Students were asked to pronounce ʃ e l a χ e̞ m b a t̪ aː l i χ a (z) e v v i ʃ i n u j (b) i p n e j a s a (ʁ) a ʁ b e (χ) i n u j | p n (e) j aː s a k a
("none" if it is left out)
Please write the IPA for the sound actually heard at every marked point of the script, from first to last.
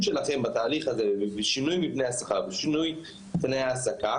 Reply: z, m, χ, ʃ, e

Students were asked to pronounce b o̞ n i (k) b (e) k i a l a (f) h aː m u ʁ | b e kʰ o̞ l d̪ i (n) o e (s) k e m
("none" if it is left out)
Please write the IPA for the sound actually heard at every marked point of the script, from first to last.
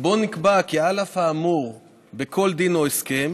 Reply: k, a, f, n, s

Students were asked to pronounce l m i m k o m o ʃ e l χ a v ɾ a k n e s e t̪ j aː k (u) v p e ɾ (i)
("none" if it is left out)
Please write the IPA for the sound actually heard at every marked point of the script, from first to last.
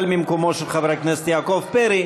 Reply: o, i

